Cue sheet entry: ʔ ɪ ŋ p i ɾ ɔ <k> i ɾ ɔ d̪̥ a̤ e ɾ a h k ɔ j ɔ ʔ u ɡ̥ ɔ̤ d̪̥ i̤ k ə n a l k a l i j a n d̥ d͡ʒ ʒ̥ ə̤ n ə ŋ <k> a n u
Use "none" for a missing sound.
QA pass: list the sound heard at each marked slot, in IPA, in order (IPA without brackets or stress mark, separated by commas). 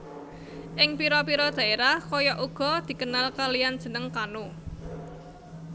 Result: p, k